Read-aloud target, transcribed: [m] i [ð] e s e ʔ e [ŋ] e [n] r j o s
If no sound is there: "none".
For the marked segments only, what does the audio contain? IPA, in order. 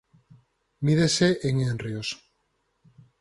m, ð, ŋ, n

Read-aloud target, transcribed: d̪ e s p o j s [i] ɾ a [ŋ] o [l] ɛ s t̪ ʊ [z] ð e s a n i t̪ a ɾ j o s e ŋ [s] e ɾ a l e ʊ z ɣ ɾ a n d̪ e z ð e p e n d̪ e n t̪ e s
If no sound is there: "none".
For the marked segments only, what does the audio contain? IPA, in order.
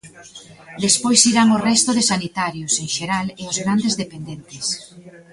i, ŋ, r, none, ʃ

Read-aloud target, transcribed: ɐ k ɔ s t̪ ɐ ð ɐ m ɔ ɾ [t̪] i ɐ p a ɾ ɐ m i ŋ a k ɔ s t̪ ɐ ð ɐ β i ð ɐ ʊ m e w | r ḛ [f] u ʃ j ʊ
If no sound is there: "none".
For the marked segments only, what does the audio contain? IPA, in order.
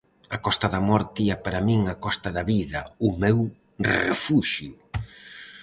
t̪, f

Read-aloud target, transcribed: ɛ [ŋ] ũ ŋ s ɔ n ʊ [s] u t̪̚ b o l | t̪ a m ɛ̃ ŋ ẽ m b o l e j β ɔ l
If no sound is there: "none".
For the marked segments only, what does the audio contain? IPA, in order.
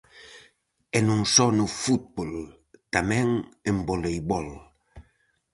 n, f

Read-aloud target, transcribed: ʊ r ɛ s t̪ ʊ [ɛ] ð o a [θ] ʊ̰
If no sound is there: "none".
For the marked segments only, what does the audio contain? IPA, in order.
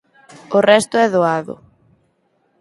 ɛ, ð

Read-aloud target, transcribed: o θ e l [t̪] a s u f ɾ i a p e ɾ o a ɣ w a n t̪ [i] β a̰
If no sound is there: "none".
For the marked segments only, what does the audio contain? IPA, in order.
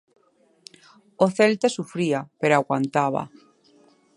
t̪, a

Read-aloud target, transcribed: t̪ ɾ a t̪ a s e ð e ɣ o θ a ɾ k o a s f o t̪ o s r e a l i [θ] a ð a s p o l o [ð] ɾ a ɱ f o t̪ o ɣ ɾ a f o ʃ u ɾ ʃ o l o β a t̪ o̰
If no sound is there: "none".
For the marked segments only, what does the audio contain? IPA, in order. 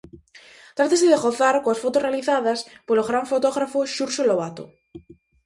θ, ɣ

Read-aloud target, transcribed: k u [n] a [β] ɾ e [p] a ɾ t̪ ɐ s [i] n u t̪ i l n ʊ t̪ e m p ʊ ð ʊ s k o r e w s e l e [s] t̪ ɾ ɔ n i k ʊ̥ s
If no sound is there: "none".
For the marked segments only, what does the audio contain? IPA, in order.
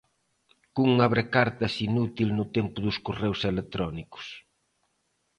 ŋ, β, k, i, none

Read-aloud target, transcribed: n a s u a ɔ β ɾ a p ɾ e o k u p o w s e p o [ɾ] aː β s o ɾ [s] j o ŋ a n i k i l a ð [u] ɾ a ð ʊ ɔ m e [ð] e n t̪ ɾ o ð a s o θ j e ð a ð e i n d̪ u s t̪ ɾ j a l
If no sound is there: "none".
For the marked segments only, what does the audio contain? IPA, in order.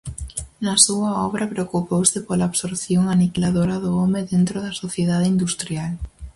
l, θ, o, ð

